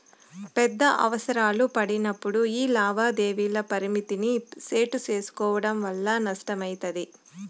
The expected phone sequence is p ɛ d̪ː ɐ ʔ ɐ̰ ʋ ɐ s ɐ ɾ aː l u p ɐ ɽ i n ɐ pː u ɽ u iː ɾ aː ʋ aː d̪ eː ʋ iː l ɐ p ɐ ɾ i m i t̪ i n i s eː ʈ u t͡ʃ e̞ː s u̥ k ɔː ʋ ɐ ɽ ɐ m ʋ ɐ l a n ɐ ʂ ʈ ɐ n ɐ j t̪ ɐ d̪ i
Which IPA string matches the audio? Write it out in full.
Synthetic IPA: p ɛ d̪ː ɐ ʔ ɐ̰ ʋ ɐ s ɐ ɾ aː l u p ɐ ɽ i n ɐ pː u ɽ u iː l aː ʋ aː d̪ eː ʋ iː l ɐ p ɐ ɾ i m i t̪ i n i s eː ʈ u t͡ʃ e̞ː s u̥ k ɔː ʋ ɐ ɽ ɐ m ʋ ɐ lː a n ɐ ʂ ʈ ɐ m ɐ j t̪ ɐ d̪ i